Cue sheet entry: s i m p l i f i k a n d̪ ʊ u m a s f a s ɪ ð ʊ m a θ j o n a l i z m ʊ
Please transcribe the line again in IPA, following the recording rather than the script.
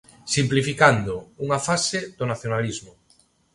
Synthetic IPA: s i m p l i f i k a n d̪ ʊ u ŋ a f a s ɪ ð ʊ n a θ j o n a l i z m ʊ